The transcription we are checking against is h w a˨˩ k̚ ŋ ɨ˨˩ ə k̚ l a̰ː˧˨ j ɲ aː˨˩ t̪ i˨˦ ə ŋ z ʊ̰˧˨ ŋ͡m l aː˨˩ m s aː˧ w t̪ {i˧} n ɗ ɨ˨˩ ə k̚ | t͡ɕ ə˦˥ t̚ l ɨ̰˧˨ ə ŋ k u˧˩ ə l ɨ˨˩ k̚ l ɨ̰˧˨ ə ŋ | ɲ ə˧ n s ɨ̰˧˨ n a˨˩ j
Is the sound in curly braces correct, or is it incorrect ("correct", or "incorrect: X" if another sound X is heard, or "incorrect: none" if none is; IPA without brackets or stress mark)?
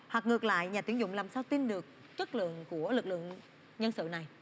correct